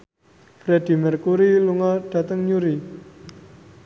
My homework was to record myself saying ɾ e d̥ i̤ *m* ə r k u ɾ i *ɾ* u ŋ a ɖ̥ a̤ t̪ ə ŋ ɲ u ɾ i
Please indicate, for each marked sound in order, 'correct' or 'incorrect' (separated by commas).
correct, incorrect